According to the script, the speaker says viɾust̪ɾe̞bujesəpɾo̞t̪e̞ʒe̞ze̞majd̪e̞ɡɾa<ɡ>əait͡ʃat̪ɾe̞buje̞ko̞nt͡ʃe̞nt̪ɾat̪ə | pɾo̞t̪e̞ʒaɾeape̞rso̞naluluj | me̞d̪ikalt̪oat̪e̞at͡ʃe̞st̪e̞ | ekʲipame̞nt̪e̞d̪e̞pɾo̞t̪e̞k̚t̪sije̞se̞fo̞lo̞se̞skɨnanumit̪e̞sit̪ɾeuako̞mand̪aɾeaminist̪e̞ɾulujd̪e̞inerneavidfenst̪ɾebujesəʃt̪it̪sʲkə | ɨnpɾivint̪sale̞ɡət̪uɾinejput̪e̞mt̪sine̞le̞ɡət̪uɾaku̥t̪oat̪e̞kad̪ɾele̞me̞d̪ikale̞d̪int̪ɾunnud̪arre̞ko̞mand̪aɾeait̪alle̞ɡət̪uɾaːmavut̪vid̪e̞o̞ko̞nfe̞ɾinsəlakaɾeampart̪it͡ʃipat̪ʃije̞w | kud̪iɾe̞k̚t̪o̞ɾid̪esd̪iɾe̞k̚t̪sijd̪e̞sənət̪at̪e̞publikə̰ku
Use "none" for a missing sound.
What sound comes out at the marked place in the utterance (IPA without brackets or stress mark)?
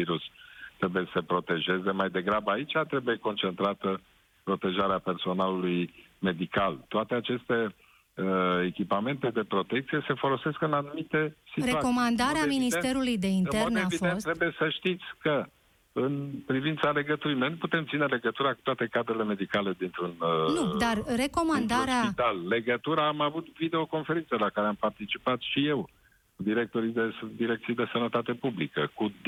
b